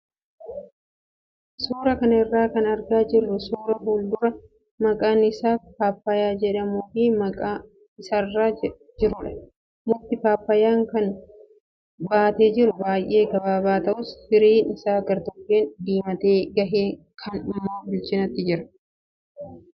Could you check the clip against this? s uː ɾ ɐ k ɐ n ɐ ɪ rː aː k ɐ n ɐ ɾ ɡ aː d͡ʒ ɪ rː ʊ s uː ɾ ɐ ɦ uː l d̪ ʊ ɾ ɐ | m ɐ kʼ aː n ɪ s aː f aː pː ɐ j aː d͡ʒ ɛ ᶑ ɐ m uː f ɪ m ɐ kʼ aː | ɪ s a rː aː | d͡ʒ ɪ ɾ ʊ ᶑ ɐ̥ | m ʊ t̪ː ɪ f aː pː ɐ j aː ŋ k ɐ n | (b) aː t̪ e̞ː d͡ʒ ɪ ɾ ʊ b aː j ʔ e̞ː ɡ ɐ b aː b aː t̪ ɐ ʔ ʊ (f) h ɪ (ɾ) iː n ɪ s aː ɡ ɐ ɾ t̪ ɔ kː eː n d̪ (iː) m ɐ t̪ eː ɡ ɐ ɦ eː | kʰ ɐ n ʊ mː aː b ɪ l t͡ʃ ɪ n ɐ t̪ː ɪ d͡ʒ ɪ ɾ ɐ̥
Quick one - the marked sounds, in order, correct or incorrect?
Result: correct, incorrect, correct, correct

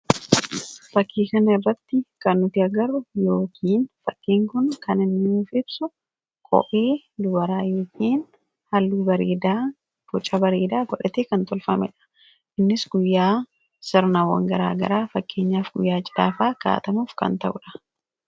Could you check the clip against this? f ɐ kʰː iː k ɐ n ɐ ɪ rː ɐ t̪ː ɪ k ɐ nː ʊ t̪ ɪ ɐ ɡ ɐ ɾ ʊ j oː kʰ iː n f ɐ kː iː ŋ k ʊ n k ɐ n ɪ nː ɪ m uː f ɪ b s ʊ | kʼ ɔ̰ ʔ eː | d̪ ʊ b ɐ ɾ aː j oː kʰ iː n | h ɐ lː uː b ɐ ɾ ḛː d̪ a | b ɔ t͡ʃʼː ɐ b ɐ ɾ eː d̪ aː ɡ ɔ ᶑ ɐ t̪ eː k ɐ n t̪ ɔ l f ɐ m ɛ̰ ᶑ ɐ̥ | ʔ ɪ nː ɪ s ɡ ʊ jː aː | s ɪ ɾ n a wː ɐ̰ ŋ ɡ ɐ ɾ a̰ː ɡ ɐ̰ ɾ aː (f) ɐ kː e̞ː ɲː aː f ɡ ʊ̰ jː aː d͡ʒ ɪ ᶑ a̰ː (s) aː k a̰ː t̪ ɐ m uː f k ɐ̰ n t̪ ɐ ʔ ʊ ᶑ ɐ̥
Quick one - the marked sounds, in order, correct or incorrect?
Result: correct, incorrect

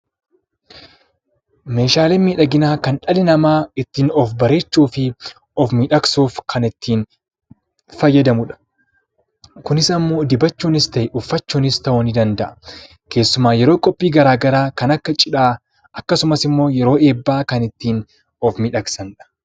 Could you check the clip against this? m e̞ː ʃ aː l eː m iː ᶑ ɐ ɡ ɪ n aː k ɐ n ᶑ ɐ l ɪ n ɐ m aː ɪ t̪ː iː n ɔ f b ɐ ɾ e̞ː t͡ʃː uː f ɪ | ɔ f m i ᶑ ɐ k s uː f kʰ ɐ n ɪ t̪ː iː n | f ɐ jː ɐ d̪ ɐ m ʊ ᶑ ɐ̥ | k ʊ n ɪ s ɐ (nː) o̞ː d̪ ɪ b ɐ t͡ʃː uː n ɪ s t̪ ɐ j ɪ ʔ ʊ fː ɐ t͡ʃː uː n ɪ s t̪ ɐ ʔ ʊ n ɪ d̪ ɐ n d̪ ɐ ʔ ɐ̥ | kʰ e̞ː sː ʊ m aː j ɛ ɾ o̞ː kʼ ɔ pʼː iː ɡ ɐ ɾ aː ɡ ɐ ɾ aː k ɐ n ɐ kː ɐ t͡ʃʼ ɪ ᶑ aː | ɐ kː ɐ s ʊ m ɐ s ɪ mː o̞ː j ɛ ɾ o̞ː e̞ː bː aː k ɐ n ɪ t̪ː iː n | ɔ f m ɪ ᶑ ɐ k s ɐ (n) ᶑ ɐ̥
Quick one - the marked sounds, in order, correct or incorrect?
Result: incorrect, correct

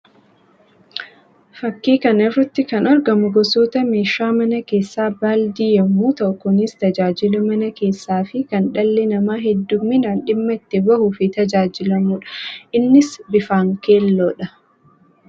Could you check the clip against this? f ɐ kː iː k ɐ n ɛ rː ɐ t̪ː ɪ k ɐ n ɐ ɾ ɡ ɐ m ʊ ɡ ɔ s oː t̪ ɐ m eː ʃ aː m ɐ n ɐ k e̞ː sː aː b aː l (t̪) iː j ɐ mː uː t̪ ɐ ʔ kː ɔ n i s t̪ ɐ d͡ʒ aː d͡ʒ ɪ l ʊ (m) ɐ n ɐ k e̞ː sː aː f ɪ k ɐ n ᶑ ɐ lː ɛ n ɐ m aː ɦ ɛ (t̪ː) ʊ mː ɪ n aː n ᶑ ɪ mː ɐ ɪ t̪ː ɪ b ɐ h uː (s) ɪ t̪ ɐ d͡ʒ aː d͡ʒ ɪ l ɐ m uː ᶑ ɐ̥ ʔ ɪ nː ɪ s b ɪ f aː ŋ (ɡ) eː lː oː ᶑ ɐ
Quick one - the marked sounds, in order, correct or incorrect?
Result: incorrect, correct, incorrect, incorrect, incorrect

